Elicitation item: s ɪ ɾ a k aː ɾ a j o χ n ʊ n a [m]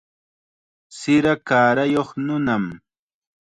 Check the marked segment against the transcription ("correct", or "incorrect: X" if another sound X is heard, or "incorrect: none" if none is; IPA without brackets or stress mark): correct